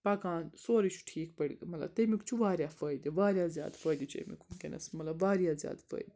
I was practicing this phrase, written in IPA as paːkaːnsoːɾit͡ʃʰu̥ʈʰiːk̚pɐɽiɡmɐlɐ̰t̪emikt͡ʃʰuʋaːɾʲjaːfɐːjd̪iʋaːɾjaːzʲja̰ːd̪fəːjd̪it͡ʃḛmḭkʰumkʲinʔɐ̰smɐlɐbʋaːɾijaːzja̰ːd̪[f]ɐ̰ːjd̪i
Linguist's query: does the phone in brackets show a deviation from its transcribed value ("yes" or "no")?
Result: no